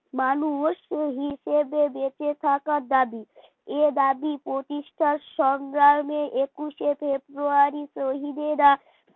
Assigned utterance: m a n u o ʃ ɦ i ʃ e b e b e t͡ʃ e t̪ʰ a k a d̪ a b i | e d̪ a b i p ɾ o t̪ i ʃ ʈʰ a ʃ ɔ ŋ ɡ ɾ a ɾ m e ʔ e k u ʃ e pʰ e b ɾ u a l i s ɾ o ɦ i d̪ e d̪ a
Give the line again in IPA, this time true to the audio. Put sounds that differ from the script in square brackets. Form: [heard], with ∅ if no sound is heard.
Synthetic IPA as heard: m a n u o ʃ ɦ i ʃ e b e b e t͡ʃ e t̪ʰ a k a d̪ a b i | e d̪ a b i p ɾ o t̪ i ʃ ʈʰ a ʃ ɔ ŋ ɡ ɾ a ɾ m e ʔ e k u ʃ e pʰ e b ɾ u a [ɾ] i s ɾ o ɦ i d̪ e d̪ a